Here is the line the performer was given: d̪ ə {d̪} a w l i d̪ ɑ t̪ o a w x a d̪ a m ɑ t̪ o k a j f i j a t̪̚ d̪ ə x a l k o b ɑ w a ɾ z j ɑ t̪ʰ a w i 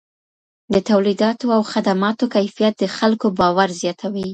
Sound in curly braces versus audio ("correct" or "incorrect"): incorrect